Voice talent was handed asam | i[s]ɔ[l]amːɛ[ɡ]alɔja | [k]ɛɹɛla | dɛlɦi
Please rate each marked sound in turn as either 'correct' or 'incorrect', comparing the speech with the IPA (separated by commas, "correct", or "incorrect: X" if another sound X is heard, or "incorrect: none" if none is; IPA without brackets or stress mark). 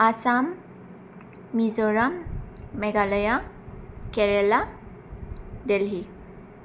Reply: incorrect: z, incorrect: ɹ, correct, correct